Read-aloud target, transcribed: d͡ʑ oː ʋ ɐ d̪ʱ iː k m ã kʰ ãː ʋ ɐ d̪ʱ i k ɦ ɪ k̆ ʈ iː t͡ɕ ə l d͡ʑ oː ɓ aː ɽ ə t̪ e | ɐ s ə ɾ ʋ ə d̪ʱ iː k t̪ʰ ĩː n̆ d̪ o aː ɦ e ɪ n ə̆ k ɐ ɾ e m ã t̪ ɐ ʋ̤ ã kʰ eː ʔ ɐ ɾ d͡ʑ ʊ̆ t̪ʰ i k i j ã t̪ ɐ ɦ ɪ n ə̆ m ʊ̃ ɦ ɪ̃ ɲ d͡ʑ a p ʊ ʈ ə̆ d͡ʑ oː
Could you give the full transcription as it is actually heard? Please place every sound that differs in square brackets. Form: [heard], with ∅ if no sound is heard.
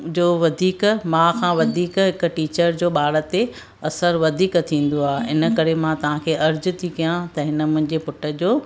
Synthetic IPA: d͡ʑ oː ʋ ɐ d̪ʱ iː k m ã kʰ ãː ʋ ɐ d̪ʱ [iː] k ɦ ɪ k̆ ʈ iː t͡ɕ ə [ɾ] d͡ʑ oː ɓ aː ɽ ə t̪ e | ɐ s ə ɾ ʋ [ɐ] d̪ʱ iː k t̪ʰ ĩː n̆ d̪ o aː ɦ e ɪ n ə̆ k ɐ ɾ e m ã t̪ ɐ ʋ̤ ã kʰ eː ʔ ɐ ɾ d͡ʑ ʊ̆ t̪ʰ i k i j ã t̪ ɐ ɦ ɪ n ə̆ m ʊ̃ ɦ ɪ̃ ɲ d͡ʑ [e] p ʊ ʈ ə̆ d͡ʑ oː